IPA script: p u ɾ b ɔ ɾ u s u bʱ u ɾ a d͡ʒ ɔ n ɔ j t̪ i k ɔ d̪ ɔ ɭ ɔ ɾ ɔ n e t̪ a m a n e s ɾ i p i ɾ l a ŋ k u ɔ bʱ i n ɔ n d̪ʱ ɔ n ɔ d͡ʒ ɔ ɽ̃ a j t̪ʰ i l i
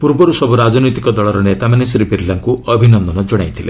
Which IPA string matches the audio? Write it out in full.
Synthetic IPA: p u ɾ b ɔ ɾ u s ɔ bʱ u ɾ a d͡ʒ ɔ n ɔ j t̪ i k ɔ d̪ ɔ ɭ ɔ ɾ ɔ n e t̪ a m a n e s ɾ i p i ɾ l a ŋ k u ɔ bʱ i n ɔ n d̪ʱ ɔ n ɔ d͡ʒ ɔ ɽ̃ a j t̪ʰ i l e